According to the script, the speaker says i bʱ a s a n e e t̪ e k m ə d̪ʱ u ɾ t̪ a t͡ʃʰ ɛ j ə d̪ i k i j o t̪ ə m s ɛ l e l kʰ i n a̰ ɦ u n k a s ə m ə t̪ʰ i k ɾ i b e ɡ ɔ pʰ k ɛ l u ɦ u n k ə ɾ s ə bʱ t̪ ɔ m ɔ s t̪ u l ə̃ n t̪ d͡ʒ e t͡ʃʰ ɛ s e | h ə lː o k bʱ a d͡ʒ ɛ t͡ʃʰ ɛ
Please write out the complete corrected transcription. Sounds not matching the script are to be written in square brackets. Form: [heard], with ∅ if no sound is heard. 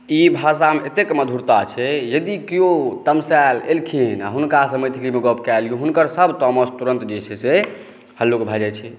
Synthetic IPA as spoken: i bʱ a s a [m] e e t̪ e k m ə d̪ʱ u ɾ t̪ a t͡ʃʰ ɛ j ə d̪ i k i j o t̪ ə m s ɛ l e l kʰ i n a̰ ɦ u n k a s ə m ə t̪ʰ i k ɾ i [m] e ɡ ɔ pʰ k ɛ l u ɦ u n k ə ɾ s ə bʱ t̪ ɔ m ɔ s t̪ u [ɾ] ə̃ n t̪ d͡ʒ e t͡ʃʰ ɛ s e | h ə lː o k bʱ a d͡ʒ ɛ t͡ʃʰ ɛ

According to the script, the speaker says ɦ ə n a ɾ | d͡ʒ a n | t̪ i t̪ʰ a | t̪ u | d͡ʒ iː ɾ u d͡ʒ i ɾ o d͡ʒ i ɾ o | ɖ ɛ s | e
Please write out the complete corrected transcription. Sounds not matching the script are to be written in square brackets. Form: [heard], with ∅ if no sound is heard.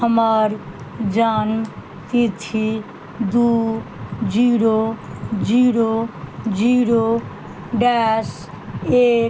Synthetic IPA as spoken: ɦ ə [m] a ɾ | d͡ʒ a n | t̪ i t̪ʰ [i] | [d̪] u | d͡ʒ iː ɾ [o] d͡ʒ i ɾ o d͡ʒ i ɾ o | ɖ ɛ s | e

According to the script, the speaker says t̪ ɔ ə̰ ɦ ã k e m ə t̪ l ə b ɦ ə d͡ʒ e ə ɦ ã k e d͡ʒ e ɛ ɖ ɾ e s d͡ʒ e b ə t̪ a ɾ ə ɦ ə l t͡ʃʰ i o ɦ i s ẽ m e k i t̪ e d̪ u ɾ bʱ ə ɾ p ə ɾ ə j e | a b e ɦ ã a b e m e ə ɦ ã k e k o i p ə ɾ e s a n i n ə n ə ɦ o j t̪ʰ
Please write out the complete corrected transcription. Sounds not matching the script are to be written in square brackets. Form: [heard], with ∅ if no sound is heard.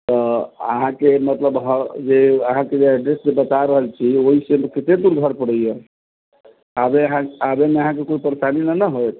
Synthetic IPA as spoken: t̪ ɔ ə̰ ɦ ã k e m ə t̪ l ə b ɦ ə d͡ʒ e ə ɦ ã k e d͡ʒ e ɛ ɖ ɾ e s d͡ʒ e b ə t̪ a ɾ ə ɦ ə l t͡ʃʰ i o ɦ i s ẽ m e k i t̪ e d̪ u ɾ [ɡʱ] ə ɾ p ə [ɽ] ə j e | a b e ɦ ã a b e m e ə ɦ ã k e k o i p ə ɾ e s a n i n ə n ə ɦ o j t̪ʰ

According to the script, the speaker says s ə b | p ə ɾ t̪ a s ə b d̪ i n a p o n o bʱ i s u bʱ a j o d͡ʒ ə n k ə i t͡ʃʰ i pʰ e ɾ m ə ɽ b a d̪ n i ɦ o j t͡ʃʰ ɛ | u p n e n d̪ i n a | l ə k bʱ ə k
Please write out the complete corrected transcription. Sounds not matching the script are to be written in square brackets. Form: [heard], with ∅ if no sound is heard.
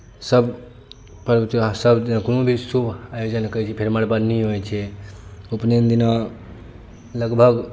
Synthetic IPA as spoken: s ə b | p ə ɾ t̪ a s ə b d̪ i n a [k] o n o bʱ i s u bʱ a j o d͡ʒ ə n k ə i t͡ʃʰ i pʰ e ɾ m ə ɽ b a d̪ n i ɦ o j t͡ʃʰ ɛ | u p n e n d̪ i n a | l ə [ɡ] bʱ ə [ɡ]

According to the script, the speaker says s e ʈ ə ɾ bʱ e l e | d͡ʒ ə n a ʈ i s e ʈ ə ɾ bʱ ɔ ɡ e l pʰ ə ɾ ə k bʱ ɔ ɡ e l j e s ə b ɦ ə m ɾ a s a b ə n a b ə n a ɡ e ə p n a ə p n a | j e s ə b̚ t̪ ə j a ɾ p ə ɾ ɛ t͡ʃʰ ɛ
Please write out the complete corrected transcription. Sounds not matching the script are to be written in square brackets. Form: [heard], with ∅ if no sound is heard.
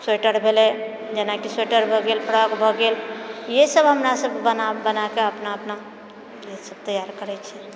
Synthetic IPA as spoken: s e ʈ ə ɾ bʱ e l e | d͡ʒ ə n a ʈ i s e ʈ ə ɾ bʱ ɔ ɡ e l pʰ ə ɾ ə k bʱ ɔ ɡ e l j e s ə b ɦ ə m ɾ a s [ə] b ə n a b ə n a [k] e ə p n a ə p n a | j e s ə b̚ t̪ ə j a ɾ [k] ə ɾ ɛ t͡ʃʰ ɛ

